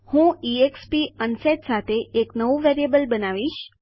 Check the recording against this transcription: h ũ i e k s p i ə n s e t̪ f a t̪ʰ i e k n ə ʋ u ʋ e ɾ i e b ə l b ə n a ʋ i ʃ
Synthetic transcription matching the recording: h ũ i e k s p i ə n s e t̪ s a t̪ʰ e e k n ə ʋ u ʋ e ɾ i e b ə l b ə n a ʋ i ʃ